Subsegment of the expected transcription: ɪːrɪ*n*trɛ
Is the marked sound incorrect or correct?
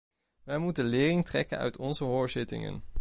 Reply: incorrect